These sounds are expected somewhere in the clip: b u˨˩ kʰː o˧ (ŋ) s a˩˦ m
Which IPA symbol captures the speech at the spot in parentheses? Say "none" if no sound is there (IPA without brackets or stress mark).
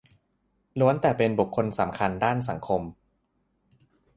n